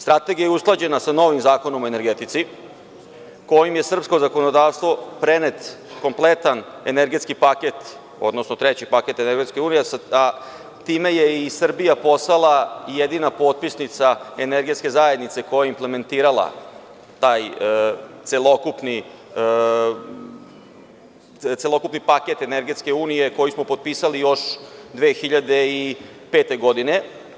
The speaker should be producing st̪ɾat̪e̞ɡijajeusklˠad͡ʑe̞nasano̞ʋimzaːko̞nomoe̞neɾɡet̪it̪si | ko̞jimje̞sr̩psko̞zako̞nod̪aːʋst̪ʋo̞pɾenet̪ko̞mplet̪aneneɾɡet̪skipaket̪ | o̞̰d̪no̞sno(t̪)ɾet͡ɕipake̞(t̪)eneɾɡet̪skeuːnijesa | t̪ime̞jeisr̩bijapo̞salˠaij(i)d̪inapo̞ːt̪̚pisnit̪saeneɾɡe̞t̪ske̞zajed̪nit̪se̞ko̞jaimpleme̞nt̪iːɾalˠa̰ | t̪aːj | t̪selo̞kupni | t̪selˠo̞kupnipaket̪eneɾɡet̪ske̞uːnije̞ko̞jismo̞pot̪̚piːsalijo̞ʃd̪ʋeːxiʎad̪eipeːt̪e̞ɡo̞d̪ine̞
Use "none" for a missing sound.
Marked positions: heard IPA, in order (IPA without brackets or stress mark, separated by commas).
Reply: t̪, t̪, e